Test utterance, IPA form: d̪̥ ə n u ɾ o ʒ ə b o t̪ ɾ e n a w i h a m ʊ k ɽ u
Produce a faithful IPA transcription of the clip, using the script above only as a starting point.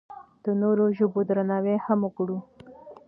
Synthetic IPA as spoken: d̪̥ ə n o ɾ o ʒ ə b o d̪ ɾ a n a w e h a m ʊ k ɽ u

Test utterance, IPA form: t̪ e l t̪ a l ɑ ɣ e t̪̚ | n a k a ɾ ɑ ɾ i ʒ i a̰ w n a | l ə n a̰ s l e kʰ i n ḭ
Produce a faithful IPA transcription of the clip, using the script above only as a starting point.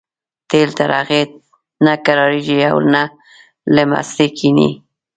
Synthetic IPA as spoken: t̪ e l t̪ a ɾ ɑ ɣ e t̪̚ | n a k a ɾ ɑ ɾ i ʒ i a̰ w n a | l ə m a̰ s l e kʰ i n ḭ

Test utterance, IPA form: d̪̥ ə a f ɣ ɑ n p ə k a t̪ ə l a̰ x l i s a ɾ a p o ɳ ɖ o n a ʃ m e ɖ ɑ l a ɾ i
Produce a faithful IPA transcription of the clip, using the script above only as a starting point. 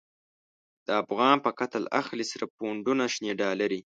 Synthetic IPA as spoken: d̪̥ ə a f ɣ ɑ n p ə k a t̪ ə l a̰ x l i s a ɾ a p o ɳ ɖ u n a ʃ n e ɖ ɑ l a ɾ i

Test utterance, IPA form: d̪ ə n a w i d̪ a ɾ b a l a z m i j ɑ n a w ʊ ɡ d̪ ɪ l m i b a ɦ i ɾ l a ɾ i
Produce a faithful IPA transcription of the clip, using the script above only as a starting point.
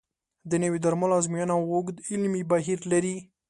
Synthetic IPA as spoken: d̪ ə n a w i d̪ a ɾ m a l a z m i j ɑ n a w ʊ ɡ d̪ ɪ l m i b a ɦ i ɾ l a ɾ i

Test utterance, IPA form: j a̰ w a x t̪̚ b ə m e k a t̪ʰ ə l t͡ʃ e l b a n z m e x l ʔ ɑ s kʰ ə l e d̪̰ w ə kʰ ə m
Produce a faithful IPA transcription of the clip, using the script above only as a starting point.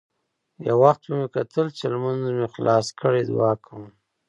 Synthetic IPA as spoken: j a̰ w a x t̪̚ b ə m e k a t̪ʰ ə l t͡ʃ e l m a n z m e x l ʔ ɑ s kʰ ə ɽ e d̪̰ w ɑ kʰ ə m

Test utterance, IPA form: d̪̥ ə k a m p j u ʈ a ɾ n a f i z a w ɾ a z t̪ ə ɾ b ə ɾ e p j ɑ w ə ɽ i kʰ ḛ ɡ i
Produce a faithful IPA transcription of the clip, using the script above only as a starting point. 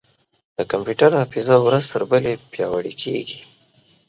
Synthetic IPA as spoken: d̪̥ ə k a m p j u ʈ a ɾ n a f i z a w ɾ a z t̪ ə ɾ b ə l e p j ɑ w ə ɽ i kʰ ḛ ɡ i

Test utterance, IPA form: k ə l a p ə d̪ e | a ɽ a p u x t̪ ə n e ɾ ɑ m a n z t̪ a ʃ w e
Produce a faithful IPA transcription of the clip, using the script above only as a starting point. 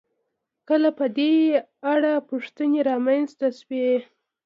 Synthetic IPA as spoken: k ə l a p ə d̪ e | a ɽ a p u ʂ t̪ ə n e ɾ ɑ m a n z t̪ a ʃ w e

